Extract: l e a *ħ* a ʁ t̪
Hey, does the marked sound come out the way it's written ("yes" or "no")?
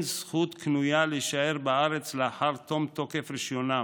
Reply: yes